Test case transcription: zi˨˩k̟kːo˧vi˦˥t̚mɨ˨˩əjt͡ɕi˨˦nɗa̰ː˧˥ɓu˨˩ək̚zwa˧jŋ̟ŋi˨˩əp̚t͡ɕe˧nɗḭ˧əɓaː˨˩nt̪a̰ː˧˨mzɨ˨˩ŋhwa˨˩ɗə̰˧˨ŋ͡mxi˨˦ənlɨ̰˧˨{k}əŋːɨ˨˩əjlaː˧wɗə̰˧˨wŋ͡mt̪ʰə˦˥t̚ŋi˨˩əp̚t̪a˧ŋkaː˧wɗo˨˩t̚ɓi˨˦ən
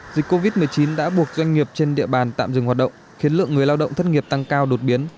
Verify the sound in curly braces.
incorrect: none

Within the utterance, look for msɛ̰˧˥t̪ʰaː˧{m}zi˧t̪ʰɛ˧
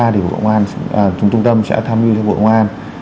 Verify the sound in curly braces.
correct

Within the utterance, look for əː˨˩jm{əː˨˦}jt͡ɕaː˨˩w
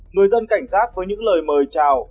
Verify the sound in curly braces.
incorrect: əː˨˩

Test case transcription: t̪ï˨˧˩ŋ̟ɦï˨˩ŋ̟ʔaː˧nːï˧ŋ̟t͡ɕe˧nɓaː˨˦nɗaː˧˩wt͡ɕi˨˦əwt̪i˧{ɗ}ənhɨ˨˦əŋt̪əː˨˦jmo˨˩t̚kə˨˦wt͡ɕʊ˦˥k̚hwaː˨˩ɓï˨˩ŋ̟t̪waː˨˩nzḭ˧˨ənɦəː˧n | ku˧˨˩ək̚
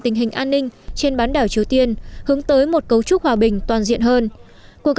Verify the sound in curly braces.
incorrect: none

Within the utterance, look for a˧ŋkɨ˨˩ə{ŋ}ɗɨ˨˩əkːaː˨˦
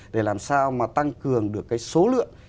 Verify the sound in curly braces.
correct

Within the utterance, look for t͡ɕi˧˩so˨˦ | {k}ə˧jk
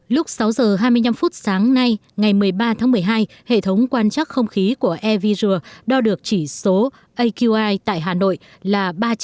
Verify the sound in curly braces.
incorrect: ʔ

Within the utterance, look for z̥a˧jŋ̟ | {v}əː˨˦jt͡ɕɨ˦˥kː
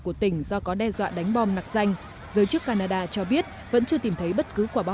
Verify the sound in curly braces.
incorrect: z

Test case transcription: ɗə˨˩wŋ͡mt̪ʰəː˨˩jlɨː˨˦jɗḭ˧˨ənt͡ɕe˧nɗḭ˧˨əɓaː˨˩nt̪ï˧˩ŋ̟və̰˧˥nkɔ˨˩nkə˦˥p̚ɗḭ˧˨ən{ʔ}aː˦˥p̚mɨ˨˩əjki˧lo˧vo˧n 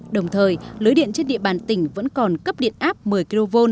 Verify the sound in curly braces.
correct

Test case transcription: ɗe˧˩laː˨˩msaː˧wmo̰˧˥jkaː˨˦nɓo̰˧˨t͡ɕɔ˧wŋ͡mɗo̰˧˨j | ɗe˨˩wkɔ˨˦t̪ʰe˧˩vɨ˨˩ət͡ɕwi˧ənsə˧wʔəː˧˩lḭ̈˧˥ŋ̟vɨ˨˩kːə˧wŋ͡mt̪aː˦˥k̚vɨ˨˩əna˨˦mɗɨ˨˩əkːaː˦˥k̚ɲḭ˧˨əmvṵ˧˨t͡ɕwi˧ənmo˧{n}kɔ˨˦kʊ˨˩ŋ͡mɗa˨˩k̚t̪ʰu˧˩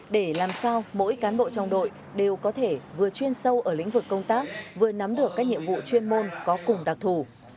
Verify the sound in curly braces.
correct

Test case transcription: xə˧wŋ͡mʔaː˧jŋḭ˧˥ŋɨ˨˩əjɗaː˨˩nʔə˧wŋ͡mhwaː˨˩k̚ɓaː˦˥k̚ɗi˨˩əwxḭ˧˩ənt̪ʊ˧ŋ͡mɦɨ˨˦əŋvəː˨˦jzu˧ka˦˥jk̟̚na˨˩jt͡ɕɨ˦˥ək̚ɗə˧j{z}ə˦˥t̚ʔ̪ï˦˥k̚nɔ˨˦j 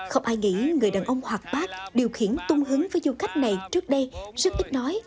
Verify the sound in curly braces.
correct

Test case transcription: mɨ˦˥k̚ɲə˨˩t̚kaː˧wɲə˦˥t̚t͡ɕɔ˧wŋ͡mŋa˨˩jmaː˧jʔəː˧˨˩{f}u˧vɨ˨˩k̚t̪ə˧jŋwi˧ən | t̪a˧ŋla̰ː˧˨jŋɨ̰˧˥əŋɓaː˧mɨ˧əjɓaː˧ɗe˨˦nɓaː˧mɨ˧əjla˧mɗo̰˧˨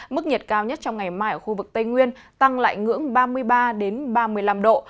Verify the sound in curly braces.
incorrect: x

